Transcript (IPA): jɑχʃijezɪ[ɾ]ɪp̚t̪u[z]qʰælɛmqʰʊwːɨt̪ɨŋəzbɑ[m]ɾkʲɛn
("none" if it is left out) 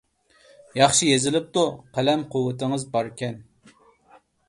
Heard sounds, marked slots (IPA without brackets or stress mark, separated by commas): l, none, none